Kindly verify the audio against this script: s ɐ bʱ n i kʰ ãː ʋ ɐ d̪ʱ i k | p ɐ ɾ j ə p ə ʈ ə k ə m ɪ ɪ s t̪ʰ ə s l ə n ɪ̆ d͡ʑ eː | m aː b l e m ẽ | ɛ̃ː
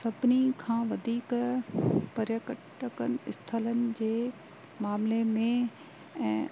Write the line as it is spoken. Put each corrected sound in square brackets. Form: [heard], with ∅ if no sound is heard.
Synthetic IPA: s ɐ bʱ n i kʰ ãː ʋ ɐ d̪ʱ [iː] k | p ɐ ɾ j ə [k] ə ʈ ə k ə [n] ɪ ɪ s t̪ʰ ə [∅] l ə n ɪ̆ d͡ʑ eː | m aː [m] l e m ẽ | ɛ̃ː

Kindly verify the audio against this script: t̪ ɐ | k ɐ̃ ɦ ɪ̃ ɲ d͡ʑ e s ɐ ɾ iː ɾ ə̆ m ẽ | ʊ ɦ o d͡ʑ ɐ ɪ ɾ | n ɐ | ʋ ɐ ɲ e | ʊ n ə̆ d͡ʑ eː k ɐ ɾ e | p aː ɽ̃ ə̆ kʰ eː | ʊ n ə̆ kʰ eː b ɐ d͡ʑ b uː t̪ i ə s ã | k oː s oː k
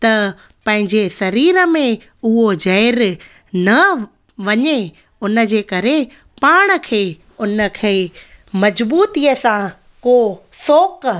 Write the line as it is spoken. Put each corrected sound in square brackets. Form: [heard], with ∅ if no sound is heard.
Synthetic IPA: t̪ ɐ | [p] ɐ̃ ɦ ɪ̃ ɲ d͡ʑ e s ɐ ɾ iː ɾ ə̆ m ẽ | ʊ ɦ o d͡ʑ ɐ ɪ ɾ | n ɐ | ʋ ɐ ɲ e | ʊ n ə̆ d͡ʑ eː k ɐ ɾ e | p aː ɽ̃ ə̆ kʰ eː | ʊ n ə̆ kʰ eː [m] ɐ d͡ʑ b uː t̪ i ə s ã | k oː s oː k

